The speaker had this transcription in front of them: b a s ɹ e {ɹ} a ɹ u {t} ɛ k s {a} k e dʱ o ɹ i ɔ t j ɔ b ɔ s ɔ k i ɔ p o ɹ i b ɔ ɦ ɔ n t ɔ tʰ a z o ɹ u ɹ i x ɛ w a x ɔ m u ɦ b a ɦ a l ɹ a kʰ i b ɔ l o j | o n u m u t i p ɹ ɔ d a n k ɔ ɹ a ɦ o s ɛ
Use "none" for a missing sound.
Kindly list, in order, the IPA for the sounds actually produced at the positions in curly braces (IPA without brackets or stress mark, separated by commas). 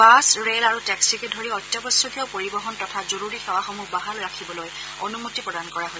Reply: l, t, i